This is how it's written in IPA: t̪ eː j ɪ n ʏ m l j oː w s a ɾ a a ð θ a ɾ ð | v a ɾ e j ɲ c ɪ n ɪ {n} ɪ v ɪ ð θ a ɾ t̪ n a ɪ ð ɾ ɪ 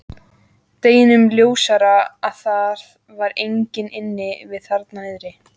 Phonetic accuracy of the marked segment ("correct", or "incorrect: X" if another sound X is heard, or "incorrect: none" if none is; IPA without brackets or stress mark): incorrect: nː